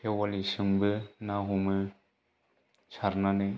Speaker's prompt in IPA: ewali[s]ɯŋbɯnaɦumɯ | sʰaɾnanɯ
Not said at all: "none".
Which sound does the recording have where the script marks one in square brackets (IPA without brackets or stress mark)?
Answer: s